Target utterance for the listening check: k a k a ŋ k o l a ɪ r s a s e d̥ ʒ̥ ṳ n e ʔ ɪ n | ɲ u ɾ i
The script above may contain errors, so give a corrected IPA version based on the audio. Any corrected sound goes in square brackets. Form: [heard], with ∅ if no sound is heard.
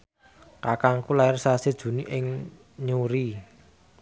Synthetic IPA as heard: k a k a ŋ k [u] l a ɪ r s a s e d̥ ʒ̥ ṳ n [i] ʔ ɪ [ŋ] | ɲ u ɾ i